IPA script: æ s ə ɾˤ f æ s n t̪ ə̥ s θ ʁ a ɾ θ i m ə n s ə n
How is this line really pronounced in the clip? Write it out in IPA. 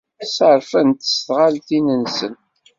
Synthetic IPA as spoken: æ s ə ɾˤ f æ n t̪ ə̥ s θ ʁ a l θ i n ə n s ə n